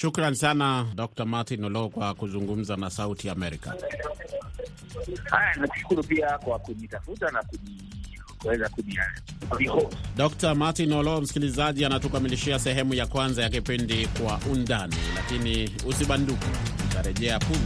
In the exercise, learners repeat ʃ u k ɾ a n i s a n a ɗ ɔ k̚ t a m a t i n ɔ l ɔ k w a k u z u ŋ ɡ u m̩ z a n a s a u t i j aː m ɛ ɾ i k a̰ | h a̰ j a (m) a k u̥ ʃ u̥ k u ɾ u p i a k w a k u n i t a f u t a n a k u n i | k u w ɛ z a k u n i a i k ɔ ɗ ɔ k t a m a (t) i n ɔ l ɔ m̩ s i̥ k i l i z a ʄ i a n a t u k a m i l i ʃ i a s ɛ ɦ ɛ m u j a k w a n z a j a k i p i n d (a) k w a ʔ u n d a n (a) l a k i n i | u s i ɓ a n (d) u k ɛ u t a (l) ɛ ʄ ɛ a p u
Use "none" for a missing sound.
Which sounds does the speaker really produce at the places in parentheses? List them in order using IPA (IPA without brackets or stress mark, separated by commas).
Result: n, t, i, i, d, ɾ